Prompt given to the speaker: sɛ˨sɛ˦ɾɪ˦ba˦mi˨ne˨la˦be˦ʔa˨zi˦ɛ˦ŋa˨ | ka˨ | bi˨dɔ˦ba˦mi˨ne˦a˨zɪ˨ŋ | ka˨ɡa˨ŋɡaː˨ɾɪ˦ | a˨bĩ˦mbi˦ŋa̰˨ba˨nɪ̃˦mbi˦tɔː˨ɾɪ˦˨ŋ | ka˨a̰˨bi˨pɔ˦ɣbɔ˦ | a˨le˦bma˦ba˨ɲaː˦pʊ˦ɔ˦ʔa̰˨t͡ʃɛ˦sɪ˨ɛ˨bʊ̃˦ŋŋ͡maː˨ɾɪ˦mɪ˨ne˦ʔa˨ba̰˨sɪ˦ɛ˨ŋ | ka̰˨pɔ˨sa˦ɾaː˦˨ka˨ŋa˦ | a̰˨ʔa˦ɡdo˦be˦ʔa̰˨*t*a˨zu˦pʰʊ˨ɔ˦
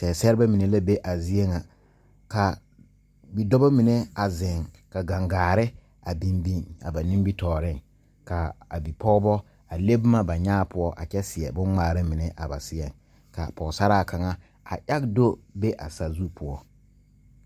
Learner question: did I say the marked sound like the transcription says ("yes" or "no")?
no